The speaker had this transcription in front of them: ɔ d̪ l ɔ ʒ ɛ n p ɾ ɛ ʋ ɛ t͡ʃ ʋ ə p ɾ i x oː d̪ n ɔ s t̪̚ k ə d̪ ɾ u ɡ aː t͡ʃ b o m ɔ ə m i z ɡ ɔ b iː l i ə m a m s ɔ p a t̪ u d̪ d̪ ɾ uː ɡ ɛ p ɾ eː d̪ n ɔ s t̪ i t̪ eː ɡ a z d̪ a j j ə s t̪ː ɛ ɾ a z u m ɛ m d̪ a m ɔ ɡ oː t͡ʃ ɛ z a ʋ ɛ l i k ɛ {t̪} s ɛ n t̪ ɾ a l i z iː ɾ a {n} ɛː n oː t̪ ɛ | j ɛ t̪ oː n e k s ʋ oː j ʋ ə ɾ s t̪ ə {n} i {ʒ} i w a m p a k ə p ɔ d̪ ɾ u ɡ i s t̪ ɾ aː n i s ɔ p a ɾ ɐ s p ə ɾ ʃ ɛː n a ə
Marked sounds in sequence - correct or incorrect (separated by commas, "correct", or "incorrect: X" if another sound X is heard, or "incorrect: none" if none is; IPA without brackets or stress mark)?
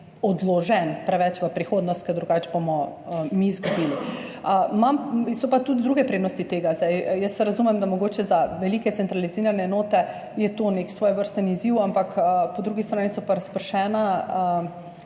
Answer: correct, correct, correct, incorrect: z